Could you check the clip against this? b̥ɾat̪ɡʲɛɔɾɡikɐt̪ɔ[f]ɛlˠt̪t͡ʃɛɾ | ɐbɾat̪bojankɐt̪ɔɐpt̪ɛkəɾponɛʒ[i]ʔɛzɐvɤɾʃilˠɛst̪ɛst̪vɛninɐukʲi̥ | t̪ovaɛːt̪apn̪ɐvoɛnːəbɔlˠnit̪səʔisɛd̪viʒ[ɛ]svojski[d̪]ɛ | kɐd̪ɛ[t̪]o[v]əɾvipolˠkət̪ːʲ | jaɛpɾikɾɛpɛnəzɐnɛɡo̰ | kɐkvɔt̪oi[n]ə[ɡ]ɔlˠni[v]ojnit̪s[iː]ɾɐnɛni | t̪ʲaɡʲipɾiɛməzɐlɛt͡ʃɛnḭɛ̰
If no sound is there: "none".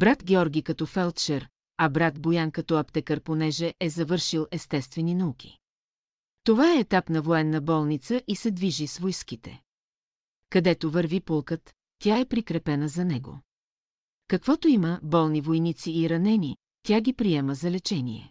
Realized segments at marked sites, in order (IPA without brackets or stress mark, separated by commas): f, ɛ, i, t̪, t̪, v, m, b, v, iː